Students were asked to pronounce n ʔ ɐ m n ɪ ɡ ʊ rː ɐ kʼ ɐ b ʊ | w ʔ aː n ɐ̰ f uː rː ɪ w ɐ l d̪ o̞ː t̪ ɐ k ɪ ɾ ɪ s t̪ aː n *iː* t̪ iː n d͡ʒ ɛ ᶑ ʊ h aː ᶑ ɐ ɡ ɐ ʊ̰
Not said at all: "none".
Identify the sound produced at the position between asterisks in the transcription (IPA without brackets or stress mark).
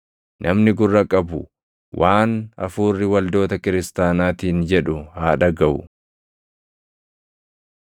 aː